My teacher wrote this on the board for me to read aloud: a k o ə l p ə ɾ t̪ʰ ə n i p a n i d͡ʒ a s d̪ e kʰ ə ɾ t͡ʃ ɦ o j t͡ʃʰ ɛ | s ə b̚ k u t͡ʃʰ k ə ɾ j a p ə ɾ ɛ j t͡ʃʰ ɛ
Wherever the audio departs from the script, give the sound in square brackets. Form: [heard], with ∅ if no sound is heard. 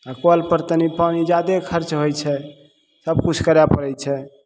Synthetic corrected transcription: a k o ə l p ə ɾ [t̪] ə n i p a n i d͡ʒ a [∅] d̪ e kʰ ə ɾ t͡ʃ ɦ o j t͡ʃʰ ɛ | s ə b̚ k u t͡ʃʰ k ə ɾ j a p ə ɾ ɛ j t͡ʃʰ ɛ